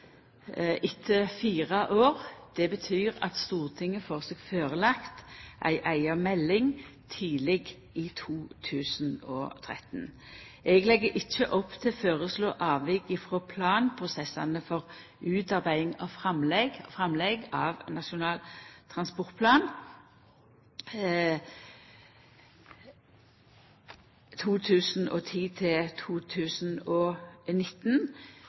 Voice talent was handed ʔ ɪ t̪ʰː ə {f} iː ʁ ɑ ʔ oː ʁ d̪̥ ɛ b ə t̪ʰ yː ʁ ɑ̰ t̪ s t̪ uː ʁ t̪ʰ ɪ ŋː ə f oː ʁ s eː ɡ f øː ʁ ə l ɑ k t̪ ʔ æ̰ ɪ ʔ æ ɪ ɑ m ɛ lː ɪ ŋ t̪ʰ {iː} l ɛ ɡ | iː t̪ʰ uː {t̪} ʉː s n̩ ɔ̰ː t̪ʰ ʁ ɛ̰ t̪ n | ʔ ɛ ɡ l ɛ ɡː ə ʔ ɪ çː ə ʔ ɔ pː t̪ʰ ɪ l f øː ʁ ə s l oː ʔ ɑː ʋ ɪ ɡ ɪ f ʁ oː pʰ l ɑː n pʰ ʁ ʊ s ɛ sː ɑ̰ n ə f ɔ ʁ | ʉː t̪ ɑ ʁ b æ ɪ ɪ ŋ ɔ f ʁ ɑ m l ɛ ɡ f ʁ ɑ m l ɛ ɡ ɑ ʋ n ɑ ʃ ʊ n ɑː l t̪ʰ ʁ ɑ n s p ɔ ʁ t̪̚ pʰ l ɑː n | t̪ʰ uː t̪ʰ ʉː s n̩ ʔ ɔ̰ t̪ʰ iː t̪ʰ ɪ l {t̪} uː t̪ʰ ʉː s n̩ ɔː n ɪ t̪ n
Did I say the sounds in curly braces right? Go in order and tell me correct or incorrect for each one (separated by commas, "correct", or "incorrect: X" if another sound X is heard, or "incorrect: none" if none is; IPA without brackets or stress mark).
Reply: correct, correct, incorrect: t̪ʰ, incorrect: t̪ʰ